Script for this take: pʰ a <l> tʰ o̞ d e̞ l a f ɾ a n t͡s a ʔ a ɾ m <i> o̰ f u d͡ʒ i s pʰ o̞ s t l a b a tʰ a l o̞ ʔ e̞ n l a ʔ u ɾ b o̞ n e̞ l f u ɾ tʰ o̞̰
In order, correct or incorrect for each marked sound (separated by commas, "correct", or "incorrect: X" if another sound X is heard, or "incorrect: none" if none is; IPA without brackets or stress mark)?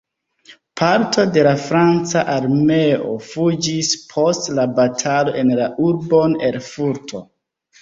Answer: incorrect: ɾ, incorrect: e